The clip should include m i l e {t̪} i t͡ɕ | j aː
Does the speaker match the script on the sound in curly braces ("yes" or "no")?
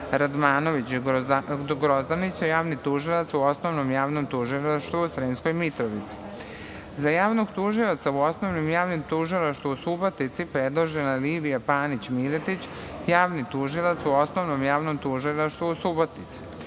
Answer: yes